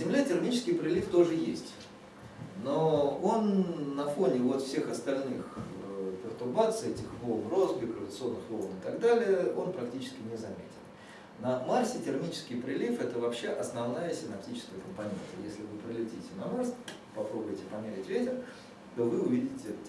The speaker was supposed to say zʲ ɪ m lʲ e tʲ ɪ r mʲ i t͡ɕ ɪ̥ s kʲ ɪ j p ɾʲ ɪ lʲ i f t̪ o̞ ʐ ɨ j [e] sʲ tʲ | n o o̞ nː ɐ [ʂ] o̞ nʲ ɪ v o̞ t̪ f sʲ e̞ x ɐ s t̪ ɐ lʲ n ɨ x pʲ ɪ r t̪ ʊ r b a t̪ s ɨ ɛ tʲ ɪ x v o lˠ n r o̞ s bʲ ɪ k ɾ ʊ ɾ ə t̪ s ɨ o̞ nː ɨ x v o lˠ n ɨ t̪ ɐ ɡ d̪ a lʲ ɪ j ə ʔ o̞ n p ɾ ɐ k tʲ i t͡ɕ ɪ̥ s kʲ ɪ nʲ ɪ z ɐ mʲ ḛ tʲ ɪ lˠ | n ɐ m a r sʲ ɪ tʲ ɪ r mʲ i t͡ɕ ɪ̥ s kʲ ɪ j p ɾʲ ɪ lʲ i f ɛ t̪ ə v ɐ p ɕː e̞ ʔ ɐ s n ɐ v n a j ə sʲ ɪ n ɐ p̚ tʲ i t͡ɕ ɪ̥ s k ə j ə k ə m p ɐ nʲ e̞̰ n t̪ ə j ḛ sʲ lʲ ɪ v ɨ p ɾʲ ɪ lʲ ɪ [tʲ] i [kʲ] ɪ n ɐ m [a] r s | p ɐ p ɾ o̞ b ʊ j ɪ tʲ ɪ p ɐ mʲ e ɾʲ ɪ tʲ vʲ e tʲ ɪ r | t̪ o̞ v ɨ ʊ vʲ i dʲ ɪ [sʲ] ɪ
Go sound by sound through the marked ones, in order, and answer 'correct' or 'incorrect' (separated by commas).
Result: correct, incorrect, correct, incorrect, correct, incorrect